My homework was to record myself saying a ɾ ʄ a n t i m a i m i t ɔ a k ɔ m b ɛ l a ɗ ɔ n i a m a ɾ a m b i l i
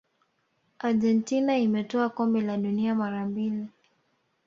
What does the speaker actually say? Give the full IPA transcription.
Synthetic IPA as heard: a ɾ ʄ ɛ n t i n a i m ɛ t ɔ a k ɔ m b ɛ l a ɗ u n i a m a ɾ a m b i l i